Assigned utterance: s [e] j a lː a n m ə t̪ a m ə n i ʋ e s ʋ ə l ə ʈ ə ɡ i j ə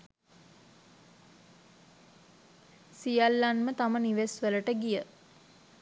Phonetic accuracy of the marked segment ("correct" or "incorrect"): incorrect